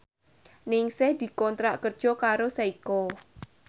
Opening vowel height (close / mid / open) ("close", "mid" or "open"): close